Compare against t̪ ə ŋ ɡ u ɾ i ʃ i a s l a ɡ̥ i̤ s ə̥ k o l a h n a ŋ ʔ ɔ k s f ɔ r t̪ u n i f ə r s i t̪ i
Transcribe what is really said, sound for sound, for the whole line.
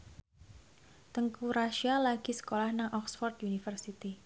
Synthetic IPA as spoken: t̪ ə ŋ k u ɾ a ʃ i a l a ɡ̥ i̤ s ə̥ k o l a h n a ŋ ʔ ɔ k s f ɔ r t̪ u n i f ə r s i t̪ i